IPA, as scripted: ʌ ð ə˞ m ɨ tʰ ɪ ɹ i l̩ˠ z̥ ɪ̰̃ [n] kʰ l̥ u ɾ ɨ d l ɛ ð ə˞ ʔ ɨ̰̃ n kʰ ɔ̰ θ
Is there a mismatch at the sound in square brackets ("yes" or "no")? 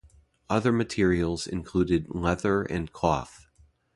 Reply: no